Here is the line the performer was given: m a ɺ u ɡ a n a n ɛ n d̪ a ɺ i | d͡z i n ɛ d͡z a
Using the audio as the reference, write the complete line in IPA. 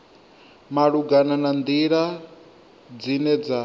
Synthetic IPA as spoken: m a ɺ u ɡ a n a n a n d̪ i ɺ a | d͡z i n ɛ d͡z a